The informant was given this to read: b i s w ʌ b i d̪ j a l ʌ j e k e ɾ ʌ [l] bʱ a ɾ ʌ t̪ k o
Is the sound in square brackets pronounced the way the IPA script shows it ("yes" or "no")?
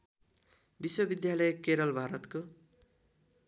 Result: yes